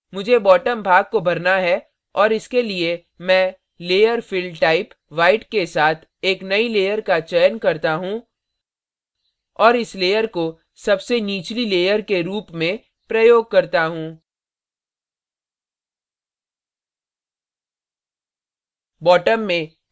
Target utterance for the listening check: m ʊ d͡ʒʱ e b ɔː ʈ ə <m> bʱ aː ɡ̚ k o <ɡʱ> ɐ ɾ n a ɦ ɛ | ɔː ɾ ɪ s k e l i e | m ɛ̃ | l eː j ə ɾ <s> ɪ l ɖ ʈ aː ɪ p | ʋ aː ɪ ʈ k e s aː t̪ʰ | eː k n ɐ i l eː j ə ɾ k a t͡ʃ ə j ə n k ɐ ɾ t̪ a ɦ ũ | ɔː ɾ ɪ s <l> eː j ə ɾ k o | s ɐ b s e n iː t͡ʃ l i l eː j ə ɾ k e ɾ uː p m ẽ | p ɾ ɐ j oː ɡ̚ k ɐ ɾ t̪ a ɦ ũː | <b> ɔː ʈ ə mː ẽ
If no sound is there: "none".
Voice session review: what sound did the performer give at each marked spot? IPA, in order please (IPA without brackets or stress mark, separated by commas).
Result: m, bʱ, f, l, b